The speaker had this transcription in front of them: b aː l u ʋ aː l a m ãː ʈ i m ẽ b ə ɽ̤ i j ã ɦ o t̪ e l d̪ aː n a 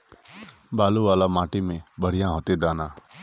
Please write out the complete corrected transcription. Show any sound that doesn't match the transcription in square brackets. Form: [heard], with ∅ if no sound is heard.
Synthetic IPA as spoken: b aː l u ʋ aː l a m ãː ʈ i m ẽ b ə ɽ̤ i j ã ɦ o t̪ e [∅] d̪ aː n a